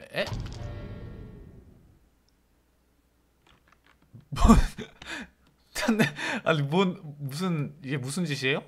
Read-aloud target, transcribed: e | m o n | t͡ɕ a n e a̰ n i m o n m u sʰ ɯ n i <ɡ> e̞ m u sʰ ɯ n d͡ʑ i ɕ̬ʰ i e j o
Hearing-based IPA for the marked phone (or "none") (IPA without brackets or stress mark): ɡ